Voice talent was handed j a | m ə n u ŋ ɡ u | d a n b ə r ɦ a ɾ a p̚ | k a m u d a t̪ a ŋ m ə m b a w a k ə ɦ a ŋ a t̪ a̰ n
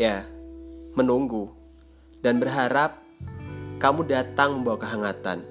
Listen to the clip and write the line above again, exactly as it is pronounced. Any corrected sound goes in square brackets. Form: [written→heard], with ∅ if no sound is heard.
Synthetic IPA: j a | m ə n u ŋ ɡ u | d a n b ə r ɦ a ɾ a p̚ | k a m u d a t̪ a ŋ m ə m b a w a k ə ɦ a ŋ a t̪ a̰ n